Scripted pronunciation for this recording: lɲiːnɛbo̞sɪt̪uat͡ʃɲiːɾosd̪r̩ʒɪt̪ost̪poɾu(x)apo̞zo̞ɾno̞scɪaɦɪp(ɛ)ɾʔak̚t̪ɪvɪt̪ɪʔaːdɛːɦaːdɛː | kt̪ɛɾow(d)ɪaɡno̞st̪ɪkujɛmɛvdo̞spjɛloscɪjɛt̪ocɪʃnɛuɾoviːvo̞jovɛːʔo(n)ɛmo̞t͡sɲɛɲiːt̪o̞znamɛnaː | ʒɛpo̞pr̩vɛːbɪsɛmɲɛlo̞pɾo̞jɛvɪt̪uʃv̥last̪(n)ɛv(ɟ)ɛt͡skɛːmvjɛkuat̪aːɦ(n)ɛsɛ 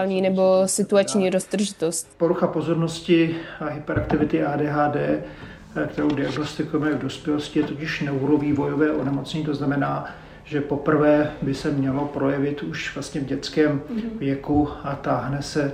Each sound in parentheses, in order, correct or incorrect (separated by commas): correct, correct, correct, correct, incorrect, correct, correct